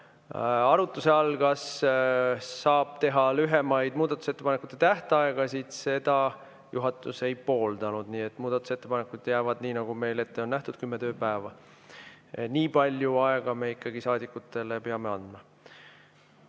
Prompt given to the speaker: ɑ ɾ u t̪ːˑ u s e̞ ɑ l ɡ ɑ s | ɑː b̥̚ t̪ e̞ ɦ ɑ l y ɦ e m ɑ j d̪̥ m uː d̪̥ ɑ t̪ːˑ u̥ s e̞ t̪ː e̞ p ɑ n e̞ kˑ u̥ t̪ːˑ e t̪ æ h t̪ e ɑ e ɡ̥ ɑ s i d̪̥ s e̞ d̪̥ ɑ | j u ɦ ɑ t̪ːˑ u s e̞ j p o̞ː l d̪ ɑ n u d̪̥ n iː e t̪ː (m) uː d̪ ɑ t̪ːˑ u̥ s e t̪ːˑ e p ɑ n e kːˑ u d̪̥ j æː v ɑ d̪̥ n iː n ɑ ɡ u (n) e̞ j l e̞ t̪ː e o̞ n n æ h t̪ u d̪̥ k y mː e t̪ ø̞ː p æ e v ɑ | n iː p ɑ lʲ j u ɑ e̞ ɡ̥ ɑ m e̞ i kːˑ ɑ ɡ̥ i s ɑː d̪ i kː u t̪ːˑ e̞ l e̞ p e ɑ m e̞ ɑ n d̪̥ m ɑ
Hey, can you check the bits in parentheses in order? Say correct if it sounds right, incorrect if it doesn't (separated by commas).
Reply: correct, incorrect